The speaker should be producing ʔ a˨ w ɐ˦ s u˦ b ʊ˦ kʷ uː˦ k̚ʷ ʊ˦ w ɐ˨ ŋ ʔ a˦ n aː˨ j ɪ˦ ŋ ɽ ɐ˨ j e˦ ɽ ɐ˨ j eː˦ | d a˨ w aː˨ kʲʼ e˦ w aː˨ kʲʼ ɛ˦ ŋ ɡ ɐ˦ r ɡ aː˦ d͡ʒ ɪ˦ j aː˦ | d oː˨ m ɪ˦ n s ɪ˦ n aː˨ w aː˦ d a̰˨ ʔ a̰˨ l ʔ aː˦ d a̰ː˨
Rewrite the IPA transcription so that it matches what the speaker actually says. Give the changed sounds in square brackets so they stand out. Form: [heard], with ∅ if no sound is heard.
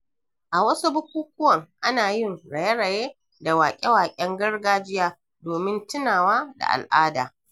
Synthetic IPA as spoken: ʔ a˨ w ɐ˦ s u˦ b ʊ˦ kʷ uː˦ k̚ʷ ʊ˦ w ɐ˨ ŋ ʔ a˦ n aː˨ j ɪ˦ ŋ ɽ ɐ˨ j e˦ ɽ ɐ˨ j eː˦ | d a˨ w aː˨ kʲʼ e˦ w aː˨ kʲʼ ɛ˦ ŋ ɡ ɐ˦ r ɡ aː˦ d͡ʒ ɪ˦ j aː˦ | d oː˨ m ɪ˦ n [t] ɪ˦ n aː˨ w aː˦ d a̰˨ ʔ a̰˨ l ʔ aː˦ d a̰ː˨